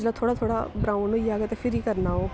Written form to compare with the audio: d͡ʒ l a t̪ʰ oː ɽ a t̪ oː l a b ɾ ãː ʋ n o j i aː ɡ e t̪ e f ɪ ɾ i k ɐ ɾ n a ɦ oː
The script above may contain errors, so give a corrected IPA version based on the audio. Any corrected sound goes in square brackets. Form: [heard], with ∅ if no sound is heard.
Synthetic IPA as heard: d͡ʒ l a t̪ʰ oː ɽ a [t̪ʰ] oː [ɽ] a b ɾ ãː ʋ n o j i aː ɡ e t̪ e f ɪ ɾ i k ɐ ɾ n a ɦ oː